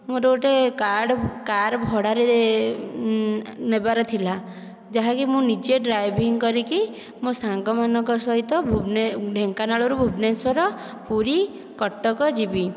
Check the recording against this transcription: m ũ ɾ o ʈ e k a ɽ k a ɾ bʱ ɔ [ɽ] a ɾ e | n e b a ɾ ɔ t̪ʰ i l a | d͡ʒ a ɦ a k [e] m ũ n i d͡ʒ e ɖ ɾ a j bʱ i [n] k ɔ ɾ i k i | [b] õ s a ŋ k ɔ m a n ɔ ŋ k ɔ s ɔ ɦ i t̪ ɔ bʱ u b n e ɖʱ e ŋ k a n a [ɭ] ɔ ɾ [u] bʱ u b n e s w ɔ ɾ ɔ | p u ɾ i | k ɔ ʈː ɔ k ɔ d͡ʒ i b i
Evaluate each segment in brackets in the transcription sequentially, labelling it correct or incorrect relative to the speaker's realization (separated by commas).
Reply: correct, incorrect, incorrect, incorrect, correct, correct